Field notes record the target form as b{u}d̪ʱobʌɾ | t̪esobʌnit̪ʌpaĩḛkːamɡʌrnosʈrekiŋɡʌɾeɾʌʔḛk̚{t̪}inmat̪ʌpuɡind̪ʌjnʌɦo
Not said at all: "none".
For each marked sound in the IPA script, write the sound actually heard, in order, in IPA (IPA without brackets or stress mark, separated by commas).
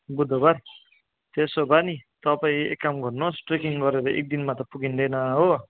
u, d̪